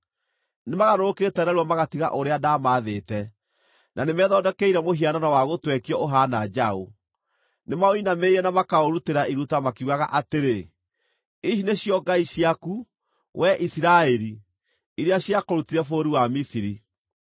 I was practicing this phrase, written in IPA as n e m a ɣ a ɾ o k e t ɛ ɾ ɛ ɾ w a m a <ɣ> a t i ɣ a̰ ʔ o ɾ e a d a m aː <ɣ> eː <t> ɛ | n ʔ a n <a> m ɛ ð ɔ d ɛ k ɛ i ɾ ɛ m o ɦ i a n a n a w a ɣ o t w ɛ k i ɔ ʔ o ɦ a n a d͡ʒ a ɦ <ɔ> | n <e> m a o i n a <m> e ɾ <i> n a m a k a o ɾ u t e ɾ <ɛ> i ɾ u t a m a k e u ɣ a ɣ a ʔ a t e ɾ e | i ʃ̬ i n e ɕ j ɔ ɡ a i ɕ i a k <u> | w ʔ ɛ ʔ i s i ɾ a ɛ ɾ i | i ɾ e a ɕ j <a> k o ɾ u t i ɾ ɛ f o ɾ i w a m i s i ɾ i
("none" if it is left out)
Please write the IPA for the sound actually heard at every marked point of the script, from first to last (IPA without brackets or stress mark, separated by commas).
ɣ, ð, t, e, o, e, m, ɛ, a, u, a